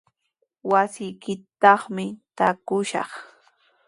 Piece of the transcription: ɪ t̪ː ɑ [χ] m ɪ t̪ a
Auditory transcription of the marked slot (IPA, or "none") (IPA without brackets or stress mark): χ